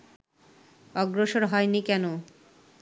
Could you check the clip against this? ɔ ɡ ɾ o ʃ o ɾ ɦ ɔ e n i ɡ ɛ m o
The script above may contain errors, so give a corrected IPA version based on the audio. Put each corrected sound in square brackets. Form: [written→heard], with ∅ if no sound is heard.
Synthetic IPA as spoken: ɔ ɡ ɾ o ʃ o ɾ ɦ ɔ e n i [ɡ→k] ɛ [m→n] o